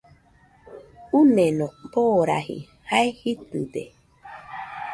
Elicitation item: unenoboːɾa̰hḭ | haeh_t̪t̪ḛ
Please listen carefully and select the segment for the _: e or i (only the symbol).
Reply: i